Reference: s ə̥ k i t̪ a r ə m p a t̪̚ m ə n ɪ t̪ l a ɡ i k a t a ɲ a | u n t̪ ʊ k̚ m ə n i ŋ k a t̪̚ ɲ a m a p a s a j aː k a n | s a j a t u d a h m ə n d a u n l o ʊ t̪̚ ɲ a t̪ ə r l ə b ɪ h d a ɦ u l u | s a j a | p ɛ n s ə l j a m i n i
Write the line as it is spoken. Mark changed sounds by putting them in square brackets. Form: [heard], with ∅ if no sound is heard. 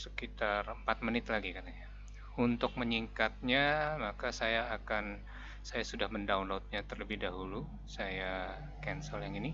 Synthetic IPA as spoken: s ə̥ k i t̪ a r ə m p a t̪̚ m ə n ɪ t̪ l a ɡ i k a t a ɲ a | u n t̪ ʊ k̚ m ə [ɲ] i ŋ k a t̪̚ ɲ a m a [k] a s a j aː k a n | s a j a [s] u d a h m ə n d a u n l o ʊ t̪̚ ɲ a t̪ ə r l ə b ɪ h d a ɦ u l u | s a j a | [k] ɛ n s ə l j a [ŋ] i n i